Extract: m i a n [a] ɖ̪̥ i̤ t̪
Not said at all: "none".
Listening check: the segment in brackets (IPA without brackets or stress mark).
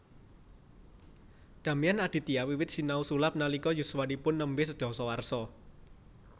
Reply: a